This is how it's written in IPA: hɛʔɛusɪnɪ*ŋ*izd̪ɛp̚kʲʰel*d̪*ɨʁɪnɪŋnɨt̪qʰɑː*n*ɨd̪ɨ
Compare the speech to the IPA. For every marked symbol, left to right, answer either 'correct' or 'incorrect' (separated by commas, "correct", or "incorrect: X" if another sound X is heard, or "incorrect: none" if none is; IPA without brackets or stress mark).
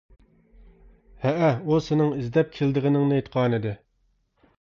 correct, correct, correct